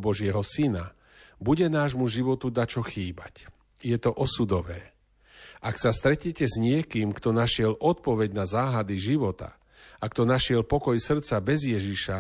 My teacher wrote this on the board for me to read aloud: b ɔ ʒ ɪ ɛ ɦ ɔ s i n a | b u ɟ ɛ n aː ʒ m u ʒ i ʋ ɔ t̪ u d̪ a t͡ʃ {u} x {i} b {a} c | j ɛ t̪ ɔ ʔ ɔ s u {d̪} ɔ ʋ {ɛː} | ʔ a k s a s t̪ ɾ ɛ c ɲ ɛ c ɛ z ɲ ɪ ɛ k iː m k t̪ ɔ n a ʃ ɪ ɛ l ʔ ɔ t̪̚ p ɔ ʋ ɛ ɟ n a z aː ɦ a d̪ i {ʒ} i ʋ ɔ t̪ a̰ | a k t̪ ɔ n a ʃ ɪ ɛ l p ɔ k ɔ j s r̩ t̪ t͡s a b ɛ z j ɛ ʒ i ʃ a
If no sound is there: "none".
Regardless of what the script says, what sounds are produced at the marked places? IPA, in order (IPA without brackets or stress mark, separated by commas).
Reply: ɔ, iː, a, d̪, ɛː, ʒ